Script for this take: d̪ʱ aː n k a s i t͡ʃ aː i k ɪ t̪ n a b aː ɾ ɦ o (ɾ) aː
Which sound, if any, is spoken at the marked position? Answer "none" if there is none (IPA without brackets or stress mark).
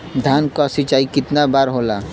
l